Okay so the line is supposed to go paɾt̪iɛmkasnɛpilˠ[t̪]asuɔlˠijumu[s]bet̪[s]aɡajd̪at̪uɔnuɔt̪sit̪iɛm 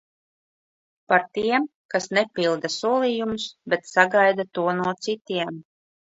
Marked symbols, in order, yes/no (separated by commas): no, yes, yes